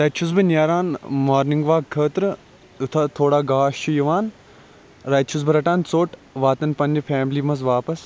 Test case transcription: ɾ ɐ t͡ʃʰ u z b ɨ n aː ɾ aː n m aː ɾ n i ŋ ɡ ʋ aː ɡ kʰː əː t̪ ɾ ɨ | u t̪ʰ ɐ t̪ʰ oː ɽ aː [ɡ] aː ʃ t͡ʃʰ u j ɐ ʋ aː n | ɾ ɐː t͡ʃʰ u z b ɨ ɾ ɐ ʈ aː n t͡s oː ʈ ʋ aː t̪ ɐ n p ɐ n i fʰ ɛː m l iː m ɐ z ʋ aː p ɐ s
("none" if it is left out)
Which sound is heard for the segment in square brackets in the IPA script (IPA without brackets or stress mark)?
ɡ